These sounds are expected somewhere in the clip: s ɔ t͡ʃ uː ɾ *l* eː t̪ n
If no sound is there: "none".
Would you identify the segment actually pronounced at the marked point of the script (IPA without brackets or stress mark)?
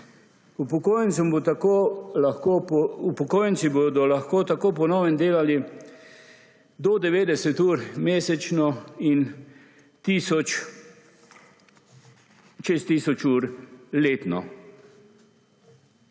l